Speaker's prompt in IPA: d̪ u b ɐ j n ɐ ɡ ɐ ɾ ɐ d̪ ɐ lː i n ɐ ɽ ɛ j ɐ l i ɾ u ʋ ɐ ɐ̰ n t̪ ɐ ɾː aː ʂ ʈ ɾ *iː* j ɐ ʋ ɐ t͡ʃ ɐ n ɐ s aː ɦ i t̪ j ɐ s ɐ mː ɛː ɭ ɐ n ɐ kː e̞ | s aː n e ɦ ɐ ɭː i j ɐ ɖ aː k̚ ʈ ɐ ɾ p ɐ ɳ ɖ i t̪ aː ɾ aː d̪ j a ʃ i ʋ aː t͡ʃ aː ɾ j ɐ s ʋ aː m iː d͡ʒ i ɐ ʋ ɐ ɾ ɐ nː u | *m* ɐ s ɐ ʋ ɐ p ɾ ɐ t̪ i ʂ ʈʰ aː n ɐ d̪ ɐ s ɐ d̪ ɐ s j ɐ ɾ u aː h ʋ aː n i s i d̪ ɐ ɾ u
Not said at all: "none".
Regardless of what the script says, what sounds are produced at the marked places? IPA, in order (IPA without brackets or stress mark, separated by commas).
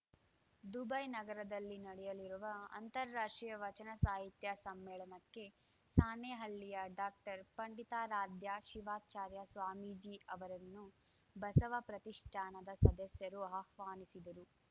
i, b